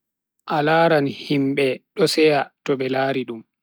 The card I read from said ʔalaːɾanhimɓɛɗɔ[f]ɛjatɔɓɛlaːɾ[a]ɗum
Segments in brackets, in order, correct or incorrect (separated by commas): incorrect, incorrect